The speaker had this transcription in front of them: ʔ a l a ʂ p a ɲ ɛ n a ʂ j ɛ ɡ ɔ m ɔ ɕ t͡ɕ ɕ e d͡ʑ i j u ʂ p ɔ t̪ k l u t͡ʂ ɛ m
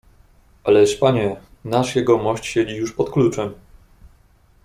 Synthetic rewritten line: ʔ a l ɛ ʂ p a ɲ ɛ n a ʂ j ɛ ɡ ɔ m ɔ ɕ t͡ɕ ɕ e d͡ʑ i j u ʂ p ɔ t̪ k l u t͡ʂ ɛ m